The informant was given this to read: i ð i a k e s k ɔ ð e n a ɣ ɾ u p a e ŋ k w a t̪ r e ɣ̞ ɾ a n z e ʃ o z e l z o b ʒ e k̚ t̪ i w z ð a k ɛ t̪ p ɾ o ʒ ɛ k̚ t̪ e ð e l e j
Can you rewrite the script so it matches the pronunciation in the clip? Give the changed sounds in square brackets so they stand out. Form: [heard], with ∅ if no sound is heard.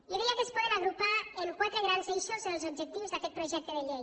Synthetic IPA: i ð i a k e s [p] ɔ ð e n a ɣ ɾ u p a e ŋ k w a t̪ [ɾ] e ɣ̞ ɾ a n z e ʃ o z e l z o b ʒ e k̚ t̪ i w z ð a k ɛ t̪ p ɾ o ʒ ɛ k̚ t̪ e ð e [ʎ] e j